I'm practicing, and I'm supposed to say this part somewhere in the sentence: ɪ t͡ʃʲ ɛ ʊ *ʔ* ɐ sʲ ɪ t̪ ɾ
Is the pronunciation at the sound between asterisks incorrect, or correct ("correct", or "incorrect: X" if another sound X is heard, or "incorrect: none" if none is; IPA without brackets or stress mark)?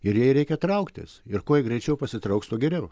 incorrect: p